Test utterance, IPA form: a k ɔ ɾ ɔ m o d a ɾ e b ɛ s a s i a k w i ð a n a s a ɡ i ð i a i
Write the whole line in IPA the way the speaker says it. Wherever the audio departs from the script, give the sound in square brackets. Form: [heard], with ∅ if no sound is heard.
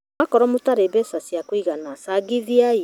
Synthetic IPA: a k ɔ ɾ ɔ m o [t] a ɾ e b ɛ s a s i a k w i [ɣ] a n a s a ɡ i ð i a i